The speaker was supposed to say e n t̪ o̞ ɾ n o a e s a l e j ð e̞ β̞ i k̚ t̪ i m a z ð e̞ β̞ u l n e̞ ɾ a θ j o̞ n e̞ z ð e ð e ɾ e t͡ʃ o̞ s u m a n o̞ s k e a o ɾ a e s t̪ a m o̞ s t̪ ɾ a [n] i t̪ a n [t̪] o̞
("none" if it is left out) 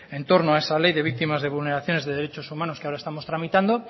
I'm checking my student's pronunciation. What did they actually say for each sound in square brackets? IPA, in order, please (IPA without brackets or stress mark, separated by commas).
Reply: m, d̪